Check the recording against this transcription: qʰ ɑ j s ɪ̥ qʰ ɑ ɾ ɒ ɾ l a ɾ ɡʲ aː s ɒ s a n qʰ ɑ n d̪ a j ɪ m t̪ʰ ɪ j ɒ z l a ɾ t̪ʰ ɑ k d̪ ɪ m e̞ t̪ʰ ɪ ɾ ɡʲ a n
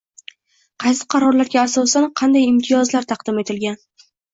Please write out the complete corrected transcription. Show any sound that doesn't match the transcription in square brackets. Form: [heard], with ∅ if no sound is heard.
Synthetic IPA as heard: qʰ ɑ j s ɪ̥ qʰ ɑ ɾ ɒ ɾ l a ɾ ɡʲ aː s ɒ s a n qʰ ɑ n d̪ a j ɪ m t̪ʰ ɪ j ɒ z l a ɾ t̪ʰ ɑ [q] d̪ ɪ m e̞ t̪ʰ ɪ [l] ɡʲ a n